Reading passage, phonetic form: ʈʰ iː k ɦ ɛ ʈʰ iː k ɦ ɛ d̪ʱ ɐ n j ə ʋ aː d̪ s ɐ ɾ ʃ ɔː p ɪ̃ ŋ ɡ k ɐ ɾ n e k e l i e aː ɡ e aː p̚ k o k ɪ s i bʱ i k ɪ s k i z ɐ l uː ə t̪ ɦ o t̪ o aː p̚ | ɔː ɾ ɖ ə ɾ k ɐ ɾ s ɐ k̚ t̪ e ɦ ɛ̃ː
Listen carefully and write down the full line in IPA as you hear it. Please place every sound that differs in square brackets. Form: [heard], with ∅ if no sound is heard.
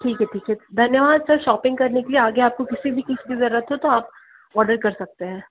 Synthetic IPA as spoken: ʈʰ iː k ɦ ɛ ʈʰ iː k ɦ ɛ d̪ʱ ɐ n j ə ʋ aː d̪ s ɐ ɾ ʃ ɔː p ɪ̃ ŋ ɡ k ɐ ɾ n e k e l i e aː ɡ e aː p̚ k o k ɪ s i bʱ i k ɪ s k i z ɐ [ɾ] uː ə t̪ ɦ o t̪ o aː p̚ | ɔː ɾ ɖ ə ɾ k ɐ ɾ s ɐ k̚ t̪ e ɦ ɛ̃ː